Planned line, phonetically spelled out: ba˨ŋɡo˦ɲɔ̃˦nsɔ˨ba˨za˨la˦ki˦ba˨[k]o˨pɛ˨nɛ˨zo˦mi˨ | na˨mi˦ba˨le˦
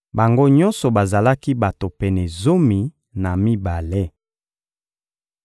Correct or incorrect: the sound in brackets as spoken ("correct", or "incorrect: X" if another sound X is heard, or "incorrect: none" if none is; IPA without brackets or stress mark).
incorrect: t